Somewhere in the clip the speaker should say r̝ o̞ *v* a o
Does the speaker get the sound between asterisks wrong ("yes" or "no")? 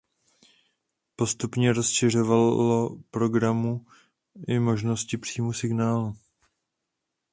no